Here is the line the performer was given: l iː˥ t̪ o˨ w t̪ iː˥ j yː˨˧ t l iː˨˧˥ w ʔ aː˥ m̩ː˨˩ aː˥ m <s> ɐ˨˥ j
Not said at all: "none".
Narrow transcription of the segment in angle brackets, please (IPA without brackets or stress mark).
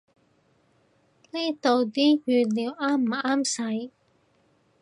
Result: s